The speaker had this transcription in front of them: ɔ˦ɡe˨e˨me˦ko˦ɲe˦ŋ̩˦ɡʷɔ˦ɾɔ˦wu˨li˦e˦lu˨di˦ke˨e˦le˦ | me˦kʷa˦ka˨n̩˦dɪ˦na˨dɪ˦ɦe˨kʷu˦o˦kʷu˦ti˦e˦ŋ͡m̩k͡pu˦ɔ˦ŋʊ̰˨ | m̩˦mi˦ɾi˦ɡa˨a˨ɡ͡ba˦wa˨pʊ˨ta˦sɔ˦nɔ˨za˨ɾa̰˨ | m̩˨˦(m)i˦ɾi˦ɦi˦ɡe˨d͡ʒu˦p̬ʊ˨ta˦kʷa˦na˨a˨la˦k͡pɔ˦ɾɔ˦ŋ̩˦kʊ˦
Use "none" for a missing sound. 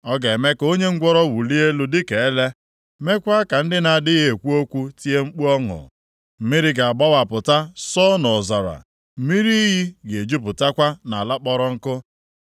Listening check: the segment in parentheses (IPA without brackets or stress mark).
m